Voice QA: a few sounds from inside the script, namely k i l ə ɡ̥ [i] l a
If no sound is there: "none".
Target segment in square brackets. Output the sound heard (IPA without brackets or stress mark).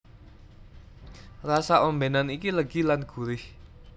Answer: i